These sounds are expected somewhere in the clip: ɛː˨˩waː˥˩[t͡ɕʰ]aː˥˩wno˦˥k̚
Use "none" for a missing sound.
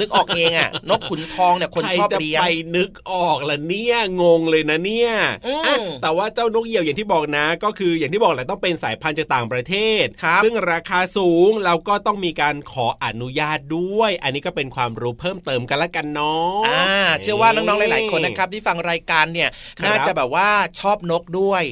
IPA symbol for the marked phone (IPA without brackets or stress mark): t͡ɕ